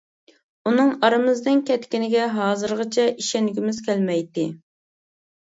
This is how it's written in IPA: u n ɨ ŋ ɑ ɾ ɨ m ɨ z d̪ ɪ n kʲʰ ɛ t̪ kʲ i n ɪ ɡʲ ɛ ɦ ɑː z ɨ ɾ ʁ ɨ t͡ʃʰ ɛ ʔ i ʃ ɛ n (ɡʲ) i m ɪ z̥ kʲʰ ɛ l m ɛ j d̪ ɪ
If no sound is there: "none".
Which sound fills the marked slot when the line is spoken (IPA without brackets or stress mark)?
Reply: ɡʲ